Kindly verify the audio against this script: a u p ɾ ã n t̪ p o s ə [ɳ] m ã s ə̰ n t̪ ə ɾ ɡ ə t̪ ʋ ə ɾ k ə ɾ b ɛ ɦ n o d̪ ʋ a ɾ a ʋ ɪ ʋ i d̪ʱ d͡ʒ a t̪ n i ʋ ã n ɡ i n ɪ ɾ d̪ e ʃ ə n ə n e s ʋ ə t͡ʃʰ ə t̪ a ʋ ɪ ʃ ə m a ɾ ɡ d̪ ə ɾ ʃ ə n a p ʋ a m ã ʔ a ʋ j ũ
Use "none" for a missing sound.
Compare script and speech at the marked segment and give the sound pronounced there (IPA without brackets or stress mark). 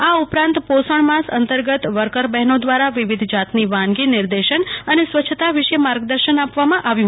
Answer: ɳ